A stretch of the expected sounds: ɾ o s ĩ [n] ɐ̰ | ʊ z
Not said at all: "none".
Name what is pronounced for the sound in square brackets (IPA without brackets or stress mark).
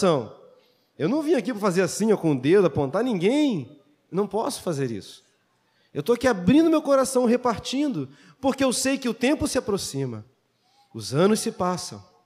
m